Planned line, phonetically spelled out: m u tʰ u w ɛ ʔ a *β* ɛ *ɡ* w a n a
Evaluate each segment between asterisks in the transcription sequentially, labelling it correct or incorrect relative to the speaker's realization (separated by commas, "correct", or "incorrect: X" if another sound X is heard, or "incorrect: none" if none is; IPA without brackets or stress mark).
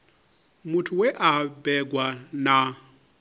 incorrect: b, correct